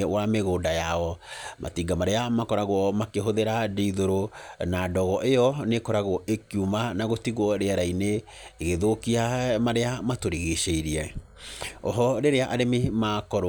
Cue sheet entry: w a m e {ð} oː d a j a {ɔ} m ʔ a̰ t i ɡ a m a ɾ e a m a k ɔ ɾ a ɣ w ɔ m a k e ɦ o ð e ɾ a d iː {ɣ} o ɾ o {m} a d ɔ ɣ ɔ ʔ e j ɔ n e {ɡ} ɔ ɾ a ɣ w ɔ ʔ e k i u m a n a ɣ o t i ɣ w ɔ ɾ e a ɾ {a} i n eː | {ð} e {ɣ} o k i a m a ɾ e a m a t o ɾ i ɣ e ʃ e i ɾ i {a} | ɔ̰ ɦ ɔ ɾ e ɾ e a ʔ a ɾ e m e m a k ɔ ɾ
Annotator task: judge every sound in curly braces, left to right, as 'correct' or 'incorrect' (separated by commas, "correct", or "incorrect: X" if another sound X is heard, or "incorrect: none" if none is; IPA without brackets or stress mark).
incorrect: ɣ, correct, incorrect: ð, incorrect: n, incorrect: k, correct, incorrect: ɣ, incorrect: ð, incorrect: ɛ